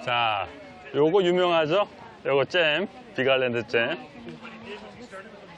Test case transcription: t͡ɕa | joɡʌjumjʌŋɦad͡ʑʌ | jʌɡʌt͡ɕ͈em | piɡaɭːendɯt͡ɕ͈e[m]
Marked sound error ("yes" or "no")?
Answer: no